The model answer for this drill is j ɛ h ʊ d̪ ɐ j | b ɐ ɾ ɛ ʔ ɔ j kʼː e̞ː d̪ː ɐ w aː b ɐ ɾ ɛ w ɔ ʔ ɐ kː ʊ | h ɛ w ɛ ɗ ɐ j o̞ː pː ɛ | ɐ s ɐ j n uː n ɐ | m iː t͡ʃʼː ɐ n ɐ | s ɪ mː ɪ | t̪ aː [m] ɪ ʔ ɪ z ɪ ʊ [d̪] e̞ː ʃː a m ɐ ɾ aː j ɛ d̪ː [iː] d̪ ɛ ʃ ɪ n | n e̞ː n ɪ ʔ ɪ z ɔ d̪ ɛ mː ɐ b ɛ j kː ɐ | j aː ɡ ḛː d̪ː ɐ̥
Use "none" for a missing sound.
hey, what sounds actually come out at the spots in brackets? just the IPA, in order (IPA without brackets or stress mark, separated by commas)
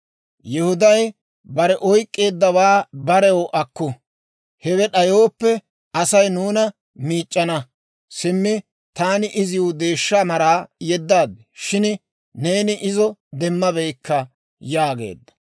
n, d̪, aː